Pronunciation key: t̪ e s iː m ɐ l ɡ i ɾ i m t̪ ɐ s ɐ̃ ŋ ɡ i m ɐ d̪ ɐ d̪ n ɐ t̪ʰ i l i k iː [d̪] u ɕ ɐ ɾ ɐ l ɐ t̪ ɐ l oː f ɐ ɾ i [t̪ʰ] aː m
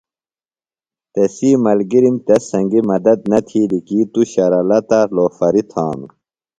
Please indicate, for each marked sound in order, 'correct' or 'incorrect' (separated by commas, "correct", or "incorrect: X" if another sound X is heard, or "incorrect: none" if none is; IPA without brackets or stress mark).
incorrect: t̪, correct